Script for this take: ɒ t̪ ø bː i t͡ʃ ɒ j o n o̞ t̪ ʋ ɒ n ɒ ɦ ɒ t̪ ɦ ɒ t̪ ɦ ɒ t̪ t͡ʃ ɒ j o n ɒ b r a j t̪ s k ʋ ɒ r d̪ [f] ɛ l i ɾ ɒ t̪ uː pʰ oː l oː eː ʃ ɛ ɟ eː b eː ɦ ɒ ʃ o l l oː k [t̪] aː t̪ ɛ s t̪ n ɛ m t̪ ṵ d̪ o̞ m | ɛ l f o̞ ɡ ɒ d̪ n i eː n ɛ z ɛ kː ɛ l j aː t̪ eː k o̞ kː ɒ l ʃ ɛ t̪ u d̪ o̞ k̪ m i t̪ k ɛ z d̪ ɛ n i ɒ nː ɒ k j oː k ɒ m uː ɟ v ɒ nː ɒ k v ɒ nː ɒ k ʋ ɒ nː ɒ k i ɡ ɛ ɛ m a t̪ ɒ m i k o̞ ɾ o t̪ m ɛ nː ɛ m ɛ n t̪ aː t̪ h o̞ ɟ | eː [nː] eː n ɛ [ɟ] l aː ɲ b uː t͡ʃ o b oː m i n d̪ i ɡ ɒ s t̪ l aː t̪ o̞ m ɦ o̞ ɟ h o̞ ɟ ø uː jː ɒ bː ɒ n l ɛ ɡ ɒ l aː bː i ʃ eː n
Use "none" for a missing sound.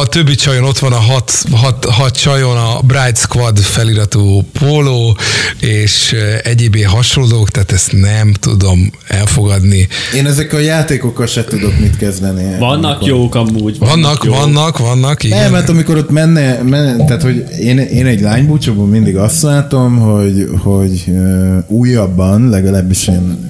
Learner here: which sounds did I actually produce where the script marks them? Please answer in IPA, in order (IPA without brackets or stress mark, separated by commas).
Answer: f, t̪, n, ɟ